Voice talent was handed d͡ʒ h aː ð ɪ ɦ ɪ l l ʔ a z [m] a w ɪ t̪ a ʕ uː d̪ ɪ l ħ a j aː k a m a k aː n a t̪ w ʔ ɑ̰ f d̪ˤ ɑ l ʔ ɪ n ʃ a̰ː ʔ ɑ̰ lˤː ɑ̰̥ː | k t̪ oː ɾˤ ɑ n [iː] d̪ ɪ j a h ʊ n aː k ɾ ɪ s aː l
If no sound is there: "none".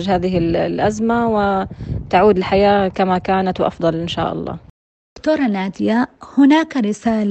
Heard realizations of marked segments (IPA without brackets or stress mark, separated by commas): m, aː